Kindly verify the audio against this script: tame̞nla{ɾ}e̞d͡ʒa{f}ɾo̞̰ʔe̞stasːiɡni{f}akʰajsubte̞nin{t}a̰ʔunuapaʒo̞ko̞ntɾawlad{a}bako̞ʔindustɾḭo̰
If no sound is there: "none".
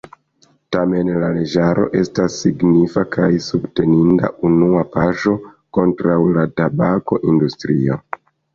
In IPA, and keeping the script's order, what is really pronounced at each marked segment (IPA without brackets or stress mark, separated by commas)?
l, none, f, d, a